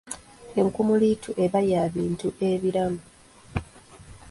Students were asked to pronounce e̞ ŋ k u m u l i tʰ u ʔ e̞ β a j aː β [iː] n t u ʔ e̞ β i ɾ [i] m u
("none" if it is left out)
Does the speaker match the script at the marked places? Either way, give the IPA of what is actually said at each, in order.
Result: iː, a

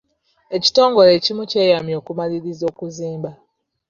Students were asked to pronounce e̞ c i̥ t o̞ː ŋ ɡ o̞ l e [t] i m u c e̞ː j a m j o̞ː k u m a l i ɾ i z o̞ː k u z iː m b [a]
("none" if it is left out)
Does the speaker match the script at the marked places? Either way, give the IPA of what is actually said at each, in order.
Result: c, a

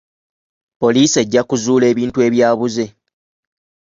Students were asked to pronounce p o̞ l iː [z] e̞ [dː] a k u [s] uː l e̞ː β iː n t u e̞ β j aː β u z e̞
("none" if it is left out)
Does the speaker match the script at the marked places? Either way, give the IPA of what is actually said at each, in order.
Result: s, ɟː, z

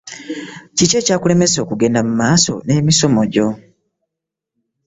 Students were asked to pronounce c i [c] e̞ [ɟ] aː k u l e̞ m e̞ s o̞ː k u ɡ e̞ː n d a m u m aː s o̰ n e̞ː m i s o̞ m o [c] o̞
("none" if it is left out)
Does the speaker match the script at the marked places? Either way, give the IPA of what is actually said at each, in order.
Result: c, c, ɟ

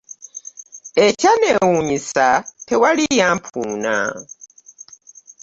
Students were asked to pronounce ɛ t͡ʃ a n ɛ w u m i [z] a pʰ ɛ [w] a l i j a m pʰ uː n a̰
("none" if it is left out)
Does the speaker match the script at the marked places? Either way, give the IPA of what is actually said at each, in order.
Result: s, w

